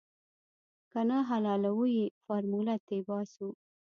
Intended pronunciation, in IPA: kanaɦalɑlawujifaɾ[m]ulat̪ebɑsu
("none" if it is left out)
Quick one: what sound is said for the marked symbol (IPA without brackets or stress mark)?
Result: m